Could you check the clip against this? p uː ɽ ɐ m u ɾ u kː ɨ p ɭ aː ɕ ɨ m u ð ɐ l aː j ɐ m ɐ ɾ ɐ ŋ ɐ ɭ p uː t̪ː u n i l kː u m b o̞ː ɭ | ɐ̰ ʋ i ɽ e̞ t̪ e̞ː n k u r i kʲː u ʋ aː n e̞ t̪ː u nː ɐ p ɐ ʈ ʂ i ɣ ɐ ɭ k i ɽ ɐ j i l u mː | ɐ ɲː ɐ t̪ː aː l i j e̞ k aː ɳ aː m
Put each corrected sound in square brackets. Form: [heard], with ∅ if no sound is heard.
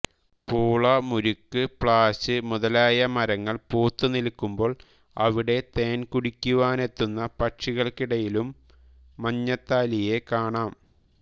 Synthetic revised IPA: p uː [ɭ] ɐ m u ɾ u kː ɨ p ɭ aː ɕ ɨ m u ð ɐ l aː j ɐ m ɐ ɾ ɐ [ŋː] ɐ ɭ p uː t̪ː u n i l kː u m b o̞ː ɭ | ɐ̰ ʋ i ɽ e̞ t̪ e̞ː n k u [ɽ] i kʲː u ʋ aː n e̞ t̪ː u nː ɐ p ɐ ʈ ʂ i ɣ ɐ ɭ k i ɽ ɐ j i l u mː | ɐ ɲː ɐ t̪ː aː l i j e̞ k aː ɳ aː m